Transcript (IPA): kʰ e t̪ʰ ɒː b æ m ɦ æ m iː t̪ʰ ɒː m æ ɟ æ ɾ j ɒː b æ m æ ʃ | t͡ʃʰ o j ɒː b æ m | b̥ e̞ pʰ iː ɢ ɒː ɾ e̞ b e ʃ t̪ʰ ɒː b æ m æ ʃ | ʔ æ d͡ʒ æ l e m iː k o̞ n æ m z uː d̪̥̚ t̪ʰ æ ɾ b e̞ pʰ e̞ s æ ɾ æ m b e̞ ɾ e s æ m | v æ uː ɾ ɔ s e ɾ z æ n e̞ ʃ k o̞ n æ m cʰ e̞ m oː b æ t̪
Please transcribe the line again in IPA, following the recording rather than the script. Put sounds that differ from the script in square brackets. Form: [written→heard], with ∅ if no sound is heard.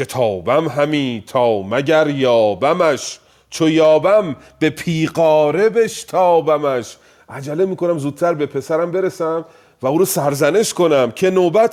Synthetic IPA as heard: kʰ e t̪ʰ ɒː b æ m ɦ æ m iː t̪ʰ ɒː m æ ɟ æ ɾ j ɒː b æ m æ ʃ | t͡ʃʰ o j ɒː b æ m | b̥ e̞ pʰ iː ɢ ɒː ɾ e̞ b e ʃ t̪ʰ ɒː b æ m æ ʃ | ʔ æ d͡ʒ æ l e m iː k o̞ n æ m z uː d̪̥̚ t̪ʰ æ ɾ b e̞ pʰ e̞ s æ ɾ æ m b e̞ ɾ e s æ m | v æ uː ɾ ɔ s [e→æ] ɾ z æ n e̞ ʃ k o̞ n æ m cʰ e̞ [m→n] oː b æ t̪